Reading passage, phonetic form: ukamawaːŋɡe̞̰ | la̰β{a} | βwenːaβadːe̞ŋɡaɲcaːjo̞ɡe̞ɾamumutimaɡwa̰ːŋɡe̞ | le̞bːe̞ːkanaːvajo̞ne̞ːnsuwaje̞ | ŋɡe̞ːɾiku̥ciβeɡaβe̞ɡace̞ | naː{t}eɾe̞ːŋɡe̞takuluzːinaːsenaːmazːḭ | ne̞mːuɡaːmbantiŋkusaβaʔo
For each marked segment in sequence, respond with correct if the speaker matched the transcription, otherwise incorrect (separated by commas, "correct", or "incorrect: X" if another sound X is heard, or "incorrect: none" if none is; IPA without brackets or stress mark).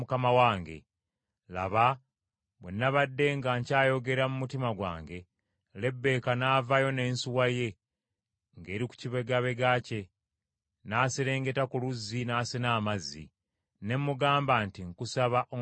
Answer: correct, incorrect: s